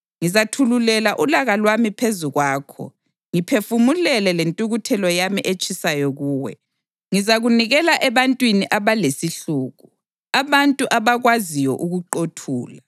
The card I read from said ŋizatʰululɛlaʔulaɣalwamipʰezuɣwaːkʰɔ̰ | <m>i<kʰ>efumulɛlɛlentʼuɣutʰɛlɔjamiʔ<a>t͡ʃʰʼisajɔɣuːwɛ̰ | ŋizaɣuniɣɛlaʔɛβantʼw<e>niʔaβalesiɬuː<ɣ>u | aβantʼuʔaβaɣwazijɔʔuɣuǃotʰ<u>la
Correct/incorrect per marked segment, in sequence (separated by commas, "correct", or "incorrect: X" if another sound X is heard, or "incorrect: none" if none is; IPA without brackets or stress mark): incorrect: ŋ, incorrect: pʰ, incorrect: e, incorrect: i, correct, incorrect: uː